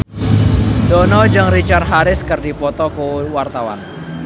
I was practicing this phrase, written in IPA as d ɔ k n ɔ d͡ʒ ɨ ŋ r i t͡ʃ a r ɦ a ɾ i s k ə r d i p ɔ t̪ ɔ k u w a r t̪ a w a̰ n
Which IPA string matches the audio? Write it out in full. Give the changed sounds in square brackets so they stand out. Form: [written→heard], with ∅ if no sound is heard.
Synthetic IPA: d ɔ [k→∅] n ɔ d͡ʒ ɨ ŋ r i t͡ʃ a r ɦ a ɾ [i→ɪ] s k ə r d i p ɔ t̪ ɔ k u w a r t̪ a w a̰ n

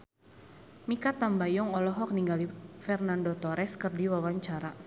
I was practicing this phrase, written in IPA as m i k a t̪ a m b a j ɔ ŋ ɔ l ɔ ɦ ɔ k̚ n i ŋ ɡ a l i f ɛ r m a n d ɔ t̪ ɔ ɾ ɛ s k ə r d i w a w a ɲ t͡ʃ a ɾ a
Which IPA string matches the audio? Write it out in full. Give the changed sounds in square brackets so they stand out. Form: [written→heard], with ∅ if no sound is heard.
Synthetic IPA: m i k a t̪ a m b a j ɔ ŋ ɔ l ɔ ɦ ɔ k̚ n i ŋ ɡ a l i f ɛ r [m→n] a n d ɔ t̪ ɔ ɾ ɛ s k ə r d i w a w a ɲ t͡ʃ a ɾ a

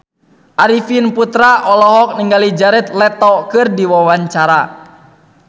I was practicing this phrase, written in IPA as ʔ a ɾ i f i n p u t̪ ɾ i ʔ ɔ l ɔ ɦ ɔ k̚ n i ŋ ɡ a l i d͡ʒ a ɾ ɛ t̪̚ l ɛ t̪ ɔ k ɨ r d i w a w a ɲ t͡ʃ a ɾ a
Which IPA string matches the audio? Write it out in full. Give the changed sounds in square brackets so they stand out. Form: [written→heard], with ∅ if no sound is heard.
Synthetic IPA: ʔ a ɾ i f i n p u t̪ ɾ [i→a] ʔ ɔ l ɔ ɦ ɔ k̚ n i ŋ ɡ a l i d͡ʒ a ɾ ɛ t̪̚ l ɛ t̪ ɔ k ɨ r d i w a w a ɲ t͡ʃ a ɾ a

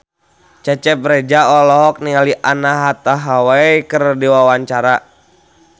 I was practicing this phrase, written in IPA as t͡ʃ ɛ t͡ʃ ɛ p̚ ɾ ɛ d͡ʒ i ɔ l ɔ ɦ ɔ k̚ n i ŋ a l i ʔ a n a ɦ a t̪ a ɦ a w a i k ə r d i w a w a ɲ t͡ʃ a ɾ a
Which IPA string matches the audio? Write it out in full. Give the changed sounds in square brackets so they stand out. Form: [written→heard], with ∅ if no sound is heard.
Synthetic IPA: t͡ʃ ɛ t͡ʃ ɛ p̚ ɾ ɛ d͡ʒ [i→a] ɔ l ɔ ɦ ɔ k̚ n i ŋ a l i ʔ a n a ɦ a t̪ a ɦ a w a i k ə r d i w a w a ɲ t͡ʃ a ɾ a

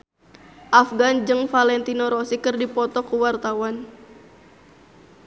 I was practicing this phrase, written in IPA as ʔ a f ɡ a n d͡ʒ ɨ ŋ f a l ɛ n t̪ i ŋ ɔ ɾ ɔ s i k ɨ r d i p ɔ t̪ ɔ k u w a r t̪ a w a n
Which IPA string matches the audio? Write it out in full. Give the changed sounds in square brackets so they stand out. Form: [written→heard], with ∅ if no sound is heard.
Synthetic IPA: ʔ a f ɡ a n d͡ʒ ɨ ŋ f a l ɛ n t̪ i [ŋ→n] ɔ ɾ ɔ s i k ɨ r d i p ɔ t̪ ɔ k u w a r t̪ a w a n

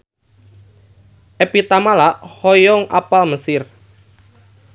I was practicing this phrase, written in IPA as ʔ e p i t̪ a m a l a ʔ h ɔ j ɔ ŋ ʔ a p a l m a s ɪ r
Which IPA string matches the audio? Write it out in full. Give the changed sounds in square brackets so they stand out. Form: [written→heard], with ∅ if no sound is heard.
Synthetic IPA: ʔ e p i t̪ a m a l a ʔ h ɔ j ɔ ŋ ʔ a p a l m [a→ə] s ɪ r

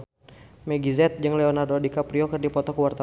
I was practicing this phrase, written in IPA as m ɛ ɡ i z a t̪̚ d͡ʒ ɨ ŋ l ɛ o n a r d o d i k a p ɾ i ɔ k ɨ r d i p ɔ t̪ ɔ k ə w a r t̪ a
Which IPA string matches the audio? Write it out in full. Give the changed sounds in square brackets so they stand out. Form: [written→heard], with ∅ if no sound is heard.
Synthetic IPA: m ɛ ɡ i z [a→ɛ] t̪̚ d͡ʒ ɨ ŋ l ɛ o n a r d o d i k a p ɾ i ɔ k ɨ r d i p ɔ t̪ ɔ k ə w a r t̪ a

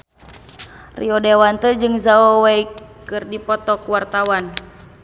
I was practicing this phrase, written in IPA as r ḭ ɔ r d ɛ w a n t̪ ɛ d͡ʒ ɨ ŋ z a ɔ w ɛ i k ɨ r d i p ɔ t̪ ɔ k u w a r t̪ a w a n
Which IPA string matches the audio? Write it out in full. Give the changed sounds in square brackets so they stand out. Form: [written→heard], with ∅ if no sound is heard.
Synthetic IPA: r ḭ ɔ [r→∅] d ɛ w a n t̪ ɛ d͡ʒ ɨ ŋ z a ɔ w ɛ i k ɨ r d i p ɔ t̪ ɔ k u w a r t̪ a w a n

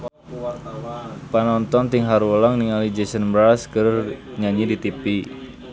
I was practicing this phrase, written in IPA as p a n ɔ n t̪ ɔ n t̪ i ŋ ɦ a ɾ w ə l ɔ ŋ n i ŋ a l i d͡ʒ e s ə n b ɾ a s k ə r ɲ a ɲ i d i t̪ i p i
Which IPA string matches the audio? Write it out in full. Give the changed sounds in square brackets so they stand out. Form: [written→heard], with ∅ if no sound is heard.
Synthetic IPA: p a n ɔ n t̪ ɔ n t̪ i ŋ ɦ a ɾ w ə l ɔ ŋ n i ŋ a l i d͡ʒ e s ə n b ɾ a s k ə r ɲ a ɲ i d i t̪ i p i

